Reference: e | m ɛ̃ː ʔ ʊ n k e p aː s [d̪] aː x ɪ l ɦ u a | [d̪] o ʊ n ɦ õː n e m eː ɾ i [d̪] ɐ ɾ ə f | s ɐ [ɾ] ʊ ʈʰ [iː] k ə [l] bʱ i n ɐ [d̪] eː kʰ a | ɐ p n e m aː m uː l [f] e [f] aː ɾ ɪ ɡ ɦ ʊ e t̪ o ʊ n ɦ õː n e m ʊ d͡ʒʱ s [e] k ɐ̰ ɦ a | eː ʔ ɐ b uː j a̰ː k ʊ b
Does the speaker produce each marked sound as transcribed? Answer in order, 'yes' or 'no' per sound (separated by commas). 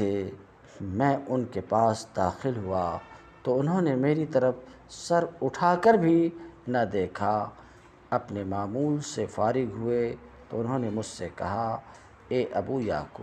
yes, no, no, yes, no, no, yes, no, yes, yes